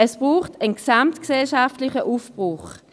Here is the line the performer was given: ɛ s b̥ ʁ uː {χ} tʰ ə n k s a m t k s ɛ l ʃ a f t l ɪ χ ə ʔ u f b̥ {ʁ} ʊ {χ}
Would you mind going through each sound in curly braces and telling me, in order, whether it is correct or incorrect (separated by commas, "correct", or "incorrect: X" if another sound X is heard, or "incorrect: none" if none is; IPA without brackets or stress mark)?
correct, correct, correct